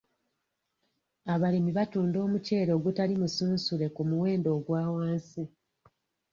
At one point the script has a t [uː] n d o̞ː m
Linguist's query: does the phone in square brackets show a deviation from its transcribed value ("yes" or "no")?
no